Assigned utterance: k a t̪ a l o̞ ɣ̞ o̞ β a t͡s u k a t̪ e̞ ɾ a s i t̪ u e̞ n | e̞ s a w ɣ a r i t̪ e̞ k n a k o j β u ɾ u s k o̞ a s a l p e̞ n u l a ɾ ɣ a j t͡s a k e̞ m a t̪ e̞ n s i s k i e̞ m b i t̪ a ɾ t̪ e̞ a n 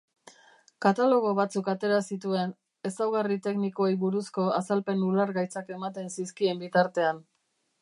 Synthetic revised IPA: k a t̪ a l o̞ ɣ̞ o̞ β a t͡s u k a t̪ e̞ ɾ a s i t̪ u e̞ n | e̞ s a w ɣ a r i t̪ e̞ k n i k o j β u ɾ u s k o̞ a s a l p e̞ n u l a ɾ ɣ a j t͡s a k e̞ m a t̪ e̞ n s i s k i e̞ m b i t̪ a ɾ t̪ e̞ a n